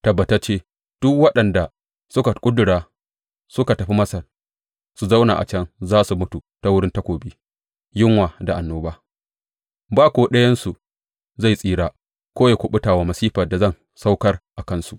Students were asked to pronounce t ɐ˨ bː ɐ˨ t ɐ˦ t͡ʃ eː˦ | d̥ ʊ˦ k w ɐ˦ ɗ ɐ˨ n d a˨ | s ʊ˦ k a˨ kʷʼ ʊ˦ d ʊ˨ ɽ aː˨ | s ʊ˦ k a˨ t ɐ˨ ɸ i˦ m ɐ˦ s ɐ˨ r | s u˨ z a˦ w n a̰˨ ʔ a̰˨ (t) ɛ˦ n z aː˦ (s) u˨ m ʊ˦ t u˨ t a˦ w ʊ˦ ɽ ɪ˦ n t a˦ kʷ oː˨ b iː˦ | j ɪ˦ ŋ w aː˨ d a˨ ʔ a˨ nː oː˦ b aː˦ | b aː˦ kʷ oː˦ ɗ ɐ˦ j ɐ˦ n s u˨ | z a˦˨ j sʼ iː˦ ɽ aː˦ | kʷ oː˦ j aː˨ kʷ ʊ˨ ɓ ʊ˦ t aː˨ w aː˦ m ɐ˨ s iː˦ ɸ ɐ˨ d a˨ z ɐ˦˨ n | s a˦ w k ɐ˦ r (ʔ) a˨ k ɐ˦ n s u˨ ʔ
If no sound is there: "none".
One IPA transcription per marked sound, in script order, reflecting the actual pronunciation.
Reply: t͡ʃ, s, ʔ

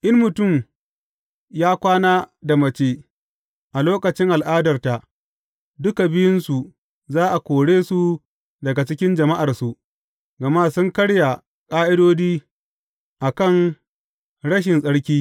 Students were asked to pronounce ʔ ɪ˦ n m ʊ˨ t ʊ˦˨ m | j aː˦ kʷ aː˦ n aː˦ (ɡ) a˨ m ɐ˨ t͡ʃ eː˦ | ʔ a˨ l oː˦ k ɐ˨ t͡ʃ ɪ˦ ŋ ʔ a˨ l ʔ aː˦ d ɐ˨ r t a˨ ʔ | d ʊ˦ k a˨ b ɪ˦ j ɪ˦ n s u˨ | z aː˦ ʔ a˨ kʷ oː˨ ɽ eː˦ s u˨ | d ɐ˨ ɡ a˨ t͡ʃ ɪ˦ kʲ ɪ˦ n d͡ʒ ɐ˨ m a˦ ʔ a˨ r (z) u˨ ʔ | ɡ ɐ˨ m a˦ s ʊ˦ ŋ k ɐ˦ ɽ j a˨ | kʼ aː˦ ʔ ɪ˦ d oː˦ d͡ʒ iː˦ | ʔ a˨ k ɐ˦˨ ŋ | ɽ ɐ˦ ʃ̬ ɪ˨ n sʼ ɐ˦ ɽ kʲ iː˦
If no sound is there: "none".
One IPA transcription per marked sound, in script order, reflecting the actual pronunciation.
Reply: d, s

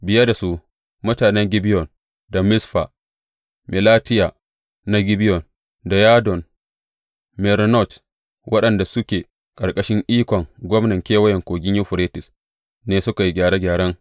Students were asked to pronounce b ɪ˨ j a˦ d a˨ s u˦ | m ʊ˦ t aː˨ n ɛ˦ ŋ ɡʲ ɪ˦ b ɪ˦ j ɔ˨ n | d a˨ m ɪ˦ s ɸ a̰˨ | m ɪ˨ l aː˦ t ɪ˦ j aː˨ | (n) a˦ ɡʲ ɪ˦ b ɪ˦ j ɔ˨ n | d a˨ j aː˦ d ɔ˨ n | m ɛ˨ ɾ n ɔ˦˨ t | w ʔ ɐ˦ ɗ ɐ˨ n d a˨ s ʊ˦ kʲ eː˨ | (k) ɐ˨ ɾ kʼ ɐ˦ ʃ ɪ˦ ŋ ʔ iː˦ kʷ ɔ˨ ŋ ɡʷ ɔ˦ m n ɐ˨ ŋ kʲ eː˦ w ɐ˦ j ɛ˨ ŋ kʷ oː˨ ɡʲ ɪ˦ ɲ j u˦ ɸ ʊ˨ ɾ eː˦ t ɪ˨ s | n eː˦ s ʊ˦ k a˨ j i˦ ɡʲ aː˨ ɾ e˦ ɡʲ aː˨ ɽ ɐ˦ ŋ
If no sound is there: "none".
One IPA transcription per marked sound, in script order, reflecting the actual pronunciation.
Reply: n, kʼ

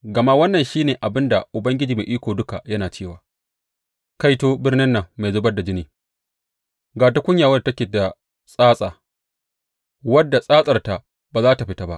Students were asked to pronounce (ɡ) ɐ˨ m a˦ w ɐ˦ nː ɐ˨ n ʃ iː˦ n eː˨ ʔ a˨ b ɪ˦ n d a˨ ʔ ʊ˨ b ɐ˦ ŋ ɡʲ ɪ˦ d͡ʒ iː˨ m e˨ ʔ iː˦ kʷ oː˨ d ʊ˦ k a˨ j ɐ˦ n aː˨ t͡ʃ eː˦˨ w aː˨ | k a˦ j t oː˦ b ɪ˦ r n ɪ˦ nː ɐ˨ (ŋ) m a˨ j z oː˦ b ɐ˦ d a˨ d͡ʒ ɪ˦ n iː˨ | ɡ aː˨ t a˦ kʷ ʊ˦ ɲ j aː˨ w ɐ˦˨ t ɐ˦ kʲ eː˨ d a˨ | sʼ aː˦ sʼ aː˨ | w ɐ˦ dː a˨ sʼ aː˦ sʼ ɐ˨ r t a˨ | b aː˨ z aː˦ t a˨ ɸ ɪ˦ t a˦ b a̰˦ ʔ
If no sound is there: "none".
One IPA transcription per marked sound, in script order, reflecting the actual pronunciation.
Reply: ɡ, ŋ

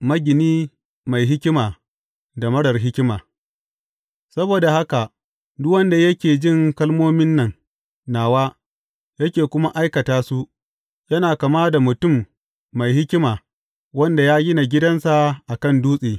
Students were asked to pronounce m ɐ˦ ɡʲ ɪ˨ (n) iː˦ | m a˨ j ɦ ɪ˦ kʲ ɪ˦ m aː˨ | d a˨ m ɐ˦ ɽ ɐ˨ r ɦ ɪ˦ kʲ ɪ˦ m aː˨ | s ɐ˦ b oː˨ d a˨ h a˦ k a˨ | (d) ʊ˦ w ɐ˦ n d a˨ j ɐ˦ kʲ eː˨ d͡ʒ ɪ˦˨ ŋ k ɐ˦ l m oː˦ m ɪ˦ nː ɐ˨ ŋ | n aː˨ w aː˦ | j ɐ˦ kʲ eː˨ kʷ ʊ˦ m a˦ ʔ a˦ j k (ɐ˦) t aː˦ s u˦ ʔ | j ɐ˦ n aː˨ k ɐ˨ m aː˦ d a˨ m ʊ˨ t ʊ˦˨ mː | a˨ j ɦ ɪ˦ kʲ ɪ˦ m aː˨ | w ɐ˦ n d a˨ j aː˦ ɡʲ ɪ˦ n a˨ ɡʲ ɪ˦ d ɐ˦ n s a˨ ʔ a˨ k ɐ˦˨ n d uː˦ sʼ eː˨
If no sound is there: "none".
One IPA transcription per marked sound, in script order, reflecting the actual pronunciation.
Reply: n, d, ɐ˨

